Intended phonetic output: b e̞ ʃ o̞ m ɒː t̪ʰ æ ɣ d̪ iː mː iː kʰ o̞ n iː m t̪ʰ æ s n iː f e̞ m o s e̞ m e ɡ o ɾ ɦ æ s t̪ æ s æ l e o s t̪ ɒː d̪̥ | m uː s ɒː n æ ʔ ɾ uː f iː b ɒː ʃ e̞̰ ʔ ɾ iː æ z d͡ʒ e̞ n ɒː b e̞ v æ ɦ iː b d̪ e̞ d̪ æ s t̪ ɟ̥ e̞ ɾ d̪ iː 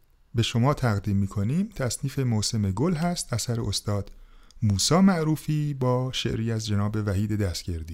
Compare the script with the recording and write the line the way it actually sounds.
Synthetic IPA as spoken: b e̞ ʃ o̞ m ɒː t̪ʰ æ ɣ d̪ iː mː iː kʰ o̞ n iː m t̪ʰ æ s n iː f e̞ m o s e̞ m e ɡ o l ɦ æ s t̪ æ s æ ɾ e o s t̪ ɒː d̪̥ | m uː s ɒː m æ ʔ ɾ uː f iː b ɒː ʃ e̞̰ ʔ ɾ iː æ z d͡ʒ e̞ n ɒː b e̞ v æ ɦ iː d̪ e̞ d̪ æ s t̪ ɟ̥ e̞ ɾ d̪ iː